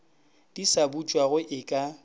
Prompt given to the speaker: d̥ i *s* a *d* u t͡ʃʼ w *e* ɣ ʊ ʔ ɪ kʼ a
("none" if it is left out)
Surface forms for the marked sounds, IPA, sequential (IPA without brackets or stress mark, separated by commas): s, b, a